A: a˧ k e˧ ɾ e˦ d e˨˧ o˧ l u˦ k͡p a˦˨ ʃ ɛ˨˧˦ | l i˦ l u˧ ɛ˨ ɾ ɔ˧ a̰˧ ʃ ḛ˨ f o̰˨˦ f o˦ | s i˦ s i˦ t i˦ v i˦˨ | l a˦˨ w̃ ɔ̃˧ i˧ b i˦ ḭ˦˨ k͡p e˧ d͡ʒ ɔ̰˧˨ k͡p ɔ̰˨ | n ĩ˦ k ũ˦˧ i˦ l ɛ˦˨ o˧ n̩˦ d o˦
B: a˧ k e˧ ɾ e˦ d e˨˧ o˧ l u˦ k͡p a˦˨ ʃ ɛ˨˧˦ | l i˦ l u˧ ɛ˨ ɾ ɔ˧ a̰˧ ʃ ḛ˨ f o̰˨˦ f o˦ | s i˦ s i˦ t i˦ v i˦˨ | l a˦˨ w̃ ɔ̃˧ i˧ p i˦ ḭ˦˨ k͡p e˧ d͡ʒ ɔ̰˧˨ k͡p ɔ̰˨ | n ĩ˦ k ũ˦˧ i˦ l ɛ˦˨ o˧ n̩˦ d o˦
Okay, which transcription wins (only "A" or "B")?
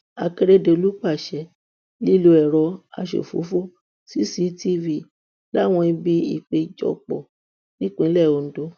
A